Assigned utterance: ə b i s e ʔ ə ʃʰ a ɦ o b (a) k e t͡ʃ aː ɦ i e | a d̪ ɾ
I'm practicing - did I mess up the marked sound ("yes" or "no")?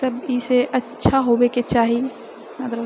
yes